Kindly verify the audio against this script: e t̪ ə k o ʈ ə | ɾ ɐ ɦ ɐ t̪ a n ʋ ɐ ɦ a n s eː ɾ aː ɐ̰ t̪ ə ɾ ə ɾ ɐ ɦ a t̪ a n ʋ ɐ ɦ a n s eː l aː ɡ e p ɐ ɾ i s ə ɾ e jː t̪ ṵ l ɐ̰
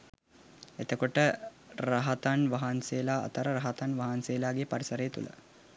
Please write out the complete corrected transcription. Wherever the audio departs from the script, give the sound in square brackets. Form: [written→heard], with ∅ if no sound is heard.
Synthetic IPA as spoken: e t̪ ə k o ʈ ə | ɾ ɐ ɦ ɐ t̪ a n ʋ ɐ ɦ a n s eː [ɾ→l] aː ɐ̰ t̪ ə ɾ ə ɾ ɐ ɦ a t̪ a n ʋ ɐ ɦ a n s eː l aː ɡ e p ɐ ɾ i s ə ɾ e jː t̪ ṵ l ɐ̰